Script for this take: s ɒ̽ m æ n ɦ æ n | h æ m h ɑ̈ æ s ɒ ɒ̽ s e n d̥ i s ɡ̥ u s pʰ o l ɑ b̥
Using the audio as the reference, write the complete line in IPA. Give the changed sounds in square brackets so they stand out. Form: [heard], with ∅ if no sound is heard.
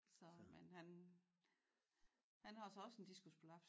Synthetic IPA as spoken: s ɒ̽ m [e] n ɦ æ n | h æ [n] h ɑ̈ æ s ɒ ɒ̽ s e n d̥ i s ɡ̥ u s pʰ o l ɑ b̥